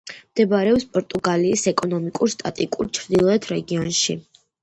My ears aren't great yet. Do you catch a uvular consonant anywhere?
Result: no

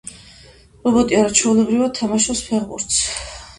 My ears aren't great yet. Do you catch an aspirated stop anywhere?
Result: yes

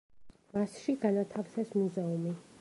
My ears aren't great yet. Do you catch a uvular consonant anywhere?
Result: no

